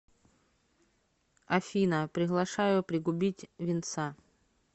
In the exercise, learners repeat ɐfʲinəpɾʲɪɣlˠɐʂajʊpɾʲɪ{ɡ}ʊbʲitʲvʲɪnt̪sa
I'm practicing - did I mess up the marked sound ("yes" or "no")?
no